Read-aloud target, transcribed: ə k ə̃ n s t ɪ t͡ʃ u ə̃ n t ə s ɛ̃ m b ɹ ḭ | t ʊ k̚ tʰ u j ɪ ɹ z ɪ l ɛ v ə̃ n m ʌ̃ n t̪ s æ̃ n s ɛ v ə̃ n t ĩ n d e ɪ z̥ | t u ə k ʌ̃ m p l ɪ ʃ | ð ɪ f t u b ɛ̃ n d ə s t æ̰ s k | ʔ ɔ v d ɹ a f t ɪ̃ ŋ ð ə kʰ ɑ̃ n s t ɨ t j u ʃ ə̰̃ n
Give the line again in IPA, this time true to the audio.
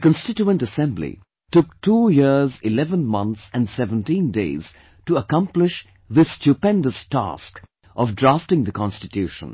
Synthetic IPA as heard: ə k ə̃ n s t ɪ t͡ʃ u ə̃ n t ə s ɛ̃ m b l ḭ | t ʊ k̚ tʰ u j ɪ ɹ z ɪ l ɛ v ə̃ n m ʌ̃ n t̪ s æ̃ n s ɛ v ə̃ n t ĩ n d e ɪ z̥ | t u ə k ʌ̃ m p l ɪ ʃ | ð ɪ s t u p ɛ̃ n d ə s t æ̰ s k | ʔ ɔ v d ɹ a f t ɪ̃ ŋ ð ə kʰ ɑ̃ n s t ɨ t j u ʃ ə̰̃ n

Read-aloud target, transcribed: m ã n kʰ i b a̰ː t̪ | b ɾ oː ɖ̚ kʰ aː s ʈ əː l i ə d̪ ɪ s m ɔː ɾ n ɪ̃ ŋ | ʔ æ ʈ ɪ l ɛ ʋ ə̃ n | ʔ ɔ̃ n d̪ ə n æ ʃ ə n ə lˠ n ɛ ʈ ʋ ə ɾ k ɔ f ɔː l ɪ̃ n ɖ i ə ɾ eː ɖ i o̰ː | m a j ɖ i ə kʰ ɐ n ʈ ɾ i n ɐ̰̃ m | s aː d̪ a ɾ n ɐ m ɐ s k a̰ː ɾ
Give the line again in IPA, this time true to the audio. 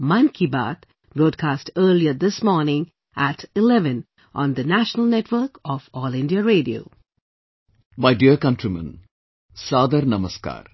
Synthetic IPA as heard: m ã n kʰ i b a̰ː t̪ | b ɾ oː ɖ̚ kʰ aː s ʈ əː l i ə d̪ ɪ s m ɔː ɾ n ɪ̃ ŋ | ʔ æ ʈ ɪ l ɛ ʋ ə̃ n | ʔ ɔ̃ n d̪ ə n æ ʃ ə n ə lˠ n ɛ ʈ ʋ ə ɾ k ɔ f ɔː l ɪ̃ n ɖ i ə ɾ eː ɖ i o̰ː | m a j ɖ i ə k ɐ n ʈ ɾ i m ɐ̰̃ n | s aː d̪ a ɾ n ɐ m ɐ s k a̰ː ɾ

